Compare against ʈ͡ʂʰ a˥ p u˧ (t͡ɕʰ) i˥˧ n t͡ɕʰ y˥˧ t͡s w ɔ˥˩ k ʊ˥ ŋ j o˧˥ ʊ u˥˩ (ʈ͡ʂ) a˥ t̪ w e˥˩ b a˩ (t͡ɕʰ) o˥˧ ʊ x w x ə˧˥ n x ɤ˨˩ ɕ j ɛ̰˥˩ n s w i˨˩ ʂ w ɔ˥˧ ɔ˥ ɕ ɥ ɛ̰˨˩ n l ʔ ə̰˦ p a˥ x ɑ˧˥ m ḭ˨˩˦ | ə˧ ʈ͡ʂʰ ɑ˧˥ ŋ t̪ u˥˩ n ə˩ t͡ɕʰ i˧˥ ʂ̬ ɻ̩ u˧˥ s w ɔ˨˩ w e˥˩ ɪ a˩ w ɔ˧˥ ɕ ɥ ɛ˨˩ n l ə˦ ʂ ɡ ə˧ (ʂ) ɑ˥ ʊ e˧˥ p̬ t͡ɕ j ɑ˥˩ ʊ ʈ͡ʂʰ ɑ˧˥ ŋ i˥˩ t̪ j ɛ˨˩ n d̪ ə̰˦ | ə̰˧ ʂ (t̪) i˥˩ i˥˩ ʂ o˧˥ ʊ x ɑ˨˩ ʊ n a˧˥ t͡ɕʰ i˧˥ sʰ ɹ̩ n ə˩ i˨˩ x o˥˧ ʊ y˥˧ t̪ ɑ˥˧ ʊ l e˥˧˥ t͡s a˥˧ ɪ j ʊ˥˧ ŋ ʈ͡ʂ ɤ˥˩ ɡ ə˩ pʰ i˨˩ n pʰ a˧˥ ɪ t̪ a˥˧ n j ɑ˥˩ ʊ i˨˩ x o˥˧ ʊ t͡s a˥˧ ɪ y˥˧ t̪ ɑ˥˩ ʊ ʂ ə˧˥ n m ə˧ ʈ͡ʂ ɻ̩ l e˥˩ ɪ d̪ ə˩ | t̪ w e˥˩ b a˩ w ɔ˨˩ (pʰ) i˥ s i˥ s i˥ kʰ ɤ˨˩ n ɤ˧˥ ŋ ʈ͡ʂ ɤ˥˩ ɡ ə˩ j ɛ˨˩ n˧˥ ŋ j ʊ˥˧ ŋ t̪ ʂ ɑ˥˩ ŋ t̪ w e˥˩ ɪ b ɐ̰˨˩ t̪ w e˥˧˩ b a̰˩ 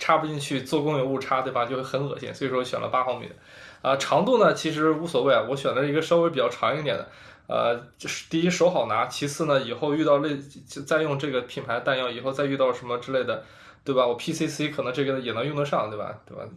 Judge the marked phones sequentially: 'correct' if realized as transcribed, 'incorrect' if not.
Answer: incorrect, incorrect, incorrect, correct, correct, correct

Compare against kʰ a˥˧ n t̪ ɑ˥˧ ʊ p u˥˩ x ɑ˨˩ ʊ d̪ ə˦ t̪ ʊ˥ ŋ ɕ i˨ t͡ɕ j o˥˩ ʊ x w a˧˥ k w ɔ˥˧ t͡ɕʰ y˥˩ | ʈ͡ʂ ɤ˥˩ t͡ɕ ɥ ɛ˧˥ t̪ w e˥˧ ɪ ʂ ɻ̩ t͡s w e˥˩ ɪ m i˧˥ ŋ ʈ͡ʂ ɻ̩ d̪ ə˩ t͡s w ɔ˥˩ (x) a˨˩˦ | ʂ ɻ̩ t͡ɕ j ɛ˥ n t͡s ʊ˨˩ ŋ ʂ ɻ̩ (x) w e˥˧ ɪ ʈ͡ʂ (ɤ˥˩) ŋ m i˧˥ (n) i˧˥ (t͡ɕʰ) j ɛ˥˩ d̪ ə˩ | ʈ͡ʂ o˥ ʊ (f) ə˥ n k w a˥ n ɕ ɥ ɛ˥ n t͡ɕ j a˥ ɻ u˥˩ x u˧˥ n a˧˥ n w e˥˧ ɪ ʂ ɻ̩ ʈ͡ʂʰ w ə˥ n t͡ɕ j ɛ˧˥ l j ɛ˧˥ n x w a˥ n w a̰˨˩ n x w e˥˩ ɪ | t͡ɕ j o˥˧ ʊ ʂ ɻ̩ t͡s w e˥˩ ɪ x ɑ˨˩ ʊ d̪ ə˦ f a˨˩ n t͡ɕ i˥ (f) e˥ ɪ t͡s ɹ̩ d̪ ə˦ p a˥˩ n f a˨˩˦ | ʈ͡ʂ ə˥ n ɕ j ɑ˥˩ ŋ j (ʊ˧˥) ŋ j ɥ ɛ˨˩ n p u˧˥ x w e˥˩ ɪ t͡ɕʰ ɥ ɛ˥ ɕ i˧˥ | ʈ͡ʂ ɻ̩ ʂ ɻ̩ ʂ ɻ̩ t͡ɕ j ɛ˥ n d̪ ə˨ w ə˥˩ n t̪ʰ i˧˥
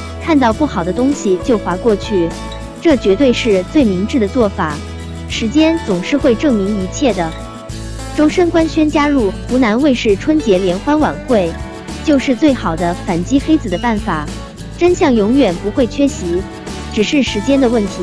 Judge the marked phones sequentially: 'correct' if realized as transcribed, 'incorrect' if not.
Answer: incorrect, correct, correct, incorrect, correct, incorrect, incorrect, correct

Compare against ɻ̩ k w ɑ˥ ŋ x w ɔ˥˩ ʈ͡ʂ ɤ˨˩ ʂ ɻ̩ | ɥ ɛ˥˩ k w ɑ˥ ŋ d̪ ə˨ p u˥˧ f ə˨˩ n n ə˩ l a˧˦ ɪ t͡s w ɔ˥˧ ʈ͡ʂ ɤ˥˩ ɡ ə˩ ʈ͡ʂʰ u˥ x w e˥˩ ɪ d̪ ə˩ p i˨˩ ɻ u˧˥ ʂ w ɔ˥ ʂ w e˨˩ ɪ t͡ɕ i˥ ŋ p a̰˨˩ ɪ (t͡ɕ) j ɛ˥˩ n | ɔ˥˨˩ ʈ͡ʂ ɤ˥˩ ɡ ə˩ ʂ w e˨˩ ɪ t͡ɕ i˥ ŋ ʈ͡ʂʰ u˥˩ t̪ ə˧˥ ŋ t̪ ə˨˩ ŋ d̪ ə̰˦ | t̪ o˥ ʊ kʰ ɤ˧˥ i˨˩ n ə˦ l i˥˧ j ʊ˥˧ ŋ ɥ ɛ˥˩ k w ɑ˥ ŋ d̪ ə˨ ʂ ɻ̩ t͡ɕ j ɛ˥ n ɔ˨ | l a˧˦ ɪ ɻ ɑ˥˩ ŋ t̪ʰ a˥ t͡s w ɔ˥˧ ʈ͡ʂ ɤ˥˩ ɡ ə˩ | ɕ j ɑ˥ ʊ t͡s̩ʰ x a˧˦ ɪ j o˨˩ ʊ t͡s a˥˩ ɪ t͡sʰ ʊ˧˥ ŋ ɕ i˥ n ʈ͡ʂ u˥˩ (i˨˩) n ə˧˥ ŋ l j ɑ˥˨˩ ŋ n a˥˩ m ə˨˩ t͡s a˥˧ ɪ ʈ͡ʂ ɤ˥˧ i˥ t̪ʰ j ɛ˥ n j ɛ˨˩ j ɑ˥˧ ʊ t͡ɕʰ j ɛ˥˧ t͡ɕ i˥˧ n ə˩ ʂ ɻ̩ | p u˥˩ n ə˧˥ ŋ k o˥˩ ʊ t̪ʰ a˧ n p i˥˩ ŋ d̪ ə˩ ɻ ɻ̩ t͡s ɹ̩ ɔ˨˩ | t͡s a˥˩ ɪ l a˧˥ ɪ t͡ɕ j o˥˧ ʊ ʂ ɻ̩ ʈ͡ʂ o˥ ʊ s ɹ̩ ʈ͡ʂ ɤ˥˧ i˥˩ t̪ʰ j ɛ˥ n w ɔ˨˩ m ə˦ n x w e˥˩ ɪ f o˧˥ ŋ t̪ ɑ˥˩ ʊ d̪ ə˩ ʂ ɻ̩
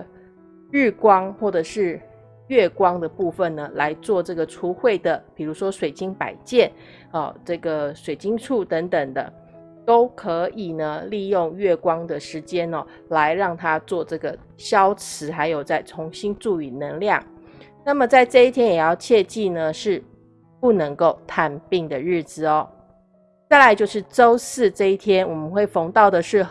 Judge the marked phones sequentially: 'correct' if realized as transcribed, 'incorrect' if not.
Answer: correct, incorrect

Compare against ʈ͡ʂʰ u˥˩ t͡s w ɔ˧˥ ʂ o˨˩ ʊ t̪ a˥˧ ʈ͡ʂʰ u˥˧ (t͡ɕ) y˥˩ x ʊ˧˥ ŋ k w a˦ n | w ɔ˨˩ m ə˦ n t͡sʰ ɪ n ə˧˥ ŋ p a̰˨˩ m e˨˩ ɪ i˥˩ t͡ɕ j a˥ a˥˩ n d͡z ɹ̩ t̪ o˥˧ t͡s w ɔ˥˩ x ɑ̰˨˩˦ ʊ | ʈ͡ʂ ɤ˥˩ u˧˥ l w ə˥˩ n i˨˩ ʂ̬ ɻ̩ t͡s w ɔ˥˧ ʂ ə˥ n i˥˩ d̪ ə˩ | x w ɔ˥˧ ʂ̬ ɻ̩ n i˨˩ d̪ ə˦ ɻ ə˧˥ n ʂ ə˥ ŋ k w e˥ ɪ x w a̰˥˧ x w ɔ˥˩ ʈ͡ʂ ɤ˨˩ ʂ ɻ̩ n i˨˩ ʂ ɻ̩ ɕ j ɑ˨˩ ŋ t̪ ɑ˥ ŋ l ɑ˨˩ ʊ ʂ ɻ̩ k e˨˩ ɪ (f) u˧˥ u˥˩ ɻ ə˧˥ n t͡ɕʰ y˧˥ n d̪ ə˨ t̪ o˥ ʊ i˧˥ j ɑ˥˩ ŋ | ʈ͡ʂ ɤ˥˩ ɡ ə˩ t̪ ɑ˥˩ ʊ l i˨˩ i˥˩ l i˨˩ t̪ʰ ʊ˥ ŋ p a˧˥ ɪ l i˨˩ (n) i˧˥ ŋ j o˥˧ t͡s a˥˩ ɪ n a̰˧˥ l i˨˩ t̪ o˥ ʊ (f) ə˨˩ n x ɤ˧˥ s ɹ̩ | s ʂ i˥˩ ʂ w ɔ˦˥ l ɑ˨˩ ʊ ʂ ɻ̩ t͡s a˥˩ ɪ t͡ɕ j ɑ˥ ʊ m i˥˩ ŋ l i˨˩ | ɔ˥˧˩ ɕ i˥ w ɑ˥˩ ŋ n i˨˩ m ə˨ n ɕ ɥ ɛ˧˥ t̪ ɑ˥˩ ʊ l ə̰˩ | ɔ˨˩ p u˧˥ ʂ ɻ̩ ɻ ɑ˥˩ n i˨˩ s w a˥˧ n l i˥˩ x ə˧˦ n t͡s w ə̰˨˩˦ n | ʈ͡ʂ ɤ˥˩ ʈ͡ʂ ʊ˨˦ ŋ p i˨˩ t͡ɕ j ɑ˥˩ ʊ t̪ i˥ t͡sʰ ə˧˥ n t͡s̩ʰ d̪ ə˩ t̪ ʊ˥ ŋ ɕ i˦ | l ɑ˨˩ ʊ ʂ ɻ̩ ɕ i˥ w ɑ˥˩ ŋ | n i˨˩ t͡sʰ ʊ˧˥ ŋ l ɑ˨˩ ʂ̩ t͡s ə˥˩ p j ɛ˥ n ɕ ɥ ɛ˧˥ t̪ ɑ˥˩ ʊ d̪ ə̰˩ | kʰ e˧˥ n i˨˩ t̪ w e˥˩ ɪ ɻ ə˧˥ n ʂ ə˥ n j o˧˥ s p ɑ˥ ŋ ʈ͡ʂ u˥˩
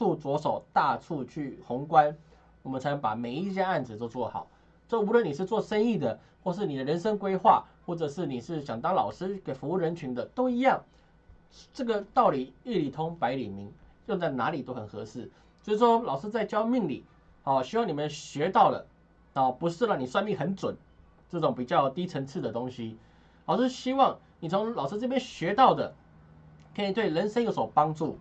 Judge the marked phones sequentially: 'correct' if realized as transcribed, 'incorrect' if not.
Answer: incorrect, correct, incorrect, incorrect

